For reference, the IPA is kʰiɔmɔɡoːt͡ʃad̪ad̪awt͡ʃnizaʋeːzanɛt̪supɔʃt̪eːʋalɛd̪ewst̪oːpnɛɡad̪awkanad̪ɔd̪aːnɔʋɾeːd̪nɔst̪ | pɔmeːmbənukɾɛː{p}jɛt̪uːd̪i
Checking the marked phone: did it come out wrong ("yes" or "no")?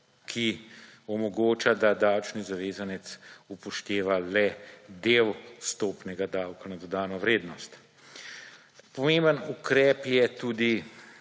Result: no